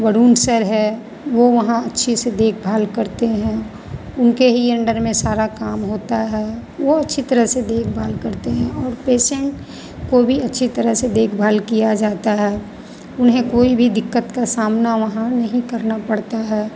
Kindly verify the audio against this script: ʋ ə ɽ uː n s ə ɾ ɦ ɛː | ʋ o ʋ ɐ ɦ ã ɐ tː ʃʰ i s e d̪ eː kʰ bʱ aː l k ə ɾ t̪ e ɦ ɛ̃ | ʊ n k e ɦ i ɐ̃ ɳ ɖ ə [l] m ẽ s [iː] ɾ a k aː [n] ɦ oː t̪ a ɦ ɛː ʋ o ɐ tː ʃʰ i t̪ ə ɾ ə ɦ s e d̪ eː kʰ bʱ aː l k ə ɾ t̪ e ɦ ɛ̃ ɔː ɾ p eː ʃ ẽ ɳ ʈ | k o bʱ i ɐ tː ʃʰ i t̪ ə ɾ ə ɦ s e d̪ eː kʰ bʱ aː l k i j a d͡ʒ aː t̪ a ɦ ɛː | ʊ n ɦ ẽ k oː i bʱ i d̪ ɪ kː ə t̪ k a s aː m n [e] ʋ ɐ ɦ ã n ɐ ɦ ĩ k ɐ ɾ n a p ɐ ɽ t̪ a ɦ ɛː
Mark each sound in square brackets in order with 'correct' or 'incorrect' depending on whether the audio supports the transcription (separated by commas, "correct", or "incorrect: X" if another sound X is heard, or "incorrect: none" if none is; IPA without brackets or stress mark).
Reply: incorrect: ɾ, incorrect: aː, incorrect: m, incorrect: a